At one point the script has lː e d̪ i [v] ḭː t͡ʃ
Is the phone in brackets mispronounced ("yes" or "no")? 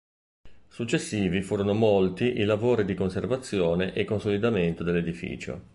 yes